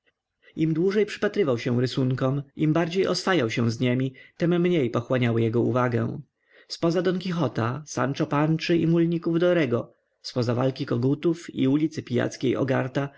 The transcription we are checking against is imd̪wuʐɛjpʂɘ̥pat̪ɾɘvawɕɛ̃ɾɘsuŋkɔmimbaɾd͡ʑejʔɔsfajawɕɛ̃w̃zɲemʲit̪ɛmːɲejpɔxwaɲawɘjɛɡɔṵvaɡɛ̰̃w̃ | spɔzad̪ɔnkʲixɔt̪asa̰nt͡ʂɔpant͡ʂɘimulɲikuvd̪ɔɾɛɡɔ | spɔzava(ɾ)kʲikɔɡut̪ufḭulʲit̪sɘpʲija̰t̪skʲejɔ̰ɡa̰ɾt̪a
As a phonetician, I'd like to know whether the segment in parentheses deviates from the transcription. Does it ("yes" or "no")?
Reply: yes